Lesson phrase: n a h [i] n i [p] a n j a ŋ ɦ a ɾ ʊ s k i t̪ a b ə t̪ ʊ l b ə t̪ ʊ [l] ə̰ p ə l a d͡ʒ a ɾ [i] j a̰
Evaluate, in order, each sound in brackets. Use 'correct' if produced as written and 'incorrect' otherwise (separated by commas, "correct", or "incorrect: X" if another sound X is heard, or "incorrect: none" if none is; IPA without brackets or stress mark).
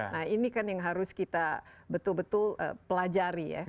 correct, incorrect: k, correct, correct